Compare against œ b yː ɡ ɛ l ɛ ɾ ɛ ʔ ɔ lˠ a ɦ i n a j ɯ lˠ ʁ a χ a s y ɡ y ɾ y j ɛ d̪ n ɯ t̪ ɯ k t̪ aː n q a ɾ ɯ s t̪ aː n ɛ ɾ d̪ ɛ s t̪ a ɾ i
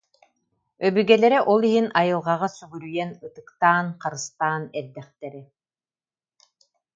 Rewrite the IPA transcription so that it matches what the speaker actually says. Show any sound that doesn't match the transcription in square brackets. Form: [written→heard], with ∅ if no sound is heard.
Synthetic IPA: œ b [yː→y] ɡ ɛ l ɛ ɾ ɛ ʔ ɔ lˠ [a→i] ɦ i n a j ɯ lˠ ʁ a [χ→ʁ] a s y ɡ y ɾ y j ɛ [d̪→∅] n ɯ t̪ ɯ k t̪ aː n q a ɾ ɯ s t̪ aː n ɛ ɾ d̪ ɛ [s→χ] t̪ [a→ɛ] ɾ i